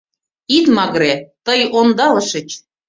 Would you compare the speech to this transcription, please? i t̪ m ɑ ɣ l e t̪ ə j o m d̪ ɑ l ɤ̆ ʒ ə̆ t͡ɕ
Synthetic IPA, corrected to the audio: i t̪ m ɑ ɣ ɾ e t̪ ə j o n d̪ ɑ l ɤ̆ ʃ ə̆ t͡ɕ

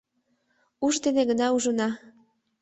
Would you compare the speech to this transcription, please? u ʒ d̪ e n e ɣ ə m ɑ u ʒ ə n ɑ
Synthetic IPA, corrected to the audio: u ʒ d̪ e n e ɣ ə n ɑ u ʒ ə n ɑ

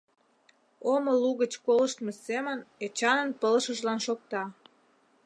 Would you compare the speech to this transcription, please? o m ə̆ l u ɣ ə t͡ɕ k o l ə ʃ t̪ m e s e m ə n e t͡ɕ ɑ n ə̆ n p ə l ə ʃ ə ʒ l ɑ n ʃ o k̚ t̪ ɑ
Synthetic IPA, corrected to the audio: o m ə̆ l u ɣ ə t͡ɕ k o l ə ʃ t̪ m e s e m ə n e t͡ɕ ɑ n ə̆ n p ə l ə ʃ ə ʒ l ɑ n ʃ o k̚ t̪ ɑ

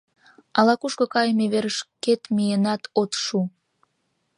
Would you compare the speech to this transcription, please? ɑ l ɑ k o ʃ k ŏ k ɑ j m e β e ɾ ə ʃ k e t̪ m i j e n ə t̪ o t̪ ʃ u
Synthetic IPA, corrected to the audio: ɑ l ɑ k u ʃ k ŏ k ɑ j m e β e ɾ ə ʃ k e t̪ m i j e n ɑ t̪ o t̪ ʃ u

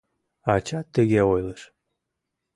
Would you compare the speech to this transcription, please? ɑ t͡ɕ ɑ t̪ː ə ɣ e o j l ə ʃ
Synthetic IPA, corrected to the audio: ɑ t͡ɕ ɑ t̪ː ə ɣ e o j l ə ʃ

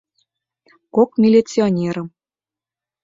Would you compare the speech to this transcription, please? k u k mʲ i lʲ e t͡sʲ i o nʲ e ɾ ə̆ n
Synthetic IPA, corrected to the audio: k o k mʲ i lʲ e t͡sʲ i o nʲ e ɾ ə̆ m

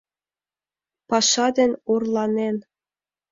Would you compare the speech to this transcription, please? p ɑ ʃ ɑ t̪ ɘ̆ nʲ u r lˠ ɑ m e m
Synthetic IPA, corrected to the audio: p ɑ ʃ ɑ d̪ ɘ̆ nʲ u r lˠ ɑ n e n

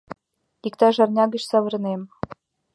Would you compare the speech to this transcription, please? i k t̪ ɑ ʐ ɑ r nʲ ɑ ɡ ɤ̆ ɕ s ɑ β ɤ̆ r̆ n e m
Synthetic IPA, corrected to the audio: i k t̪ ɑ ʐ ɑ r nʲ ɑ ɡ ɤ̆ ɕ s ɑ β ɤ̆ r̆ n e m

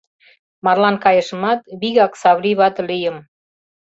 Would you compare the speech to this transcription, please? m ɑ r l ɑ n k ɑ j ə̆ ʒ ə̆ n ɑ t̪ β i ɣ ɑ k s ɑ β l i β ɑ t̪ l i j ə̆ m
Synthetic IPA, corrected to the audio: m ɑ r l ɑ n k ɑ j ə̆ ʃ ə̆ m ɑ t̪ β i ɣ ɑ k s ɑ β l i β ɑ t̪ l i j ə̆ m

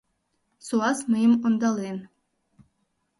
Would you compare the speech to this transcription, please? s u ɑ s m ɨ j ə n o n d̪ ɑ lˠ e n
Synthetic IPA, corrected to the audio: s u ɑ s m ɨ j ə m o n d̪ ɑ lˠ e n

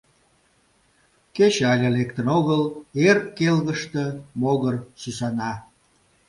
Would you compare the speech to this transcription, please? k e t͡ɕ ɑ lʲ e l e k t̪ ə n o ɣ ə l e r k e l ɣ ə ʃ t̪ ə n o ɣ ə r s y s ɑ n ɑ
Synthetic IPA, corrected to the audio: k e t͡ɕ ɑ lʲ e l e k t̪ ə n o ɣ ə l e r k e l ɣ ə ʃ t̪ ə m o ɣ ə r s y s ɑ n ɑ

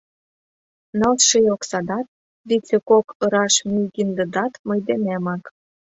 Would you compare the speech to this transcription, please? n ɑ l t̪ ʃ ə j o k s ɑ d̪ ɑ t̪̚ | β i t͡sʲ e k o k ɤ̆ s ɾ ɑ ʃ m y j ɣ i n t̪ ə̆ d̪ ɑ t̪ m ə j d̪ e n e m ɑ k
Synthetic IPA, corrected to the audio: n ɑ l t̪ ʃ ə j o k s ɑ d̪ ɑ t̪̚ | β i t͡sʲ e k o k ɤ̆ ɾ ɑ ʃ m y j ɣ i n d̪ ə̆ d̪ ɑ t̪ m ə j d̪ e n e m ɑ k

